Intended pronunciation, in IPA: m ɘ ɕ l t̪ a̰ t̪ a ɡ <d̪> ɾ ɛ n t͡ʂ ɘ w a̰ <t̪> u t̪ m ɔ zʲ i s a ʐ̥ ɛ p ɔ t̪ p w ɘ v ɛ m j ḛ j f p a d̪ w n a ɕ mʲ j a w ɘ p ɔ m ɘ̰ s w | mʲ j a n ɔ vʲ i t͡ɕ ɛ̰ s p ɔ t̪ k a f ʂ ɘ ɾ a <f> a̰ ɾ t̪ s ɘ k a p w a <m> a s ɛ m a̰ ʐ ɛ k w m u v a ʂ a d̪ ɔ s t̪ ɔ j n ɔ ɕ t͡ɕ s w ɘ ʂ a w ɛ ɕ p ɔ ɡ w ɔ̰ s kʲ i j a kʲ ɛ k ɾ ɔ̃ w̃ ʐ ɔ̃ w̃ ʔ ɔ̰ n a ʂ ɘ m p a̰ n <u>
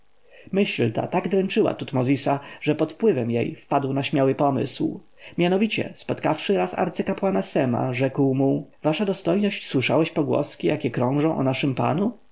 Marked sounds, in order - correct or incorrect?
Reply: correct, correct, incorrect: s, incorrect: n, correct

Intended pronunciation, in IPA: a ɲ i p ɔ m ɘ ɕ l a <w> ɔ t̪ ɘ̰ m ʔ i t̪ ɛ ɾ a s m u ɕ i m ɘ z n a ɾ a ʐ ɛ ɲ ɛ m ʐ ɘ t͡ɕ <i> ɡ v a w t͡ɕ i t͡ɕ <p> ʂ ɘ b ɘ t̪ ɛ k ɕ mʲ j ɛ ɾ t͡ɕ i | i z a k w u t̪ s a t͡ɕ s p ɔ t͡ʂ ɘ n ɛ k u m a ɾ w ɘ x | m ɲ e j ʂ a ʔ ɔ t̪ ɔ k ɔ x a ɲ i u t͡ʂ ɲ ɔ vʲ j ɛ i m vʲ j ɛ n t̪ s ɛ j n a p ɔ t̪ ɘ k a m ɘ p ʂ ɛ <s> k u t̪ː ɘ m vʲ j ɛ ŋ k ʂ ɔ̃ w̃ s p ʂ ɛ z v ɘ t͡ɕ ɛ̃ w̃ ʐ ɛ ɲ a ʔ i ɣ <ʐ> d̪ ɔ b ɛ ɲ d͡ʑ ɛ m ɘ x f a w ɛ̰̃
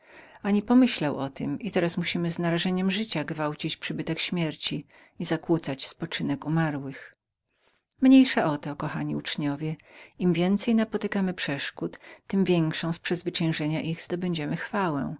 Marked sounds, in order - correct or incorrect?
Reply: correct, incorrect: a, correct, incorrect: ʂ, incorrect: z

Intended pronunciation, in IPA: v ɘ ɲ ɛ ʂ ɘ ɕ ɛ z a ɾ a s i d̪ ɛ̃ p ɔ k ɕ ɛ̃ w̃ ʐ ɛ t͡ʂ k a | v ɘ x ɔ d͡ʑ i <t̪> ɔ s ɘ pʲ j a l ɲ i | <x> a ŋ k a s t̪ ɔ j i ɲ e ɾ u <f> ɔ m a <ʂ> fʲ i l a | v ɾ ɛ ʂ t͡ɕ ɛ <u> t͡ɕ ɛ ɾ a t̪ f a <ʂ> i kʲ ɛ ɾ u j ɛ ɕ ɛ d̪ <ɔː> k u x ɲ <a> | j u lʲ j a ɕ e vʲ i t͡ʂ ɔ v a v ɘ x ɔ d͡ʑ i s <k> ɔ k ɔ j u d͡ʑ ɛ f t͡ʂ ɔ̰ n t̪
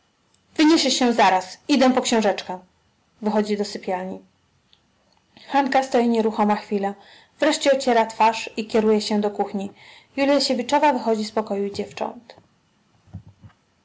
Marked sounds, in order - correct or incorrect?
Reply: incorrect: d̪, correct, incorrect: x, incorrect: x, incorrect: ɔ, correct, incorrect: ɔ, incorrect: i, incorrect: p

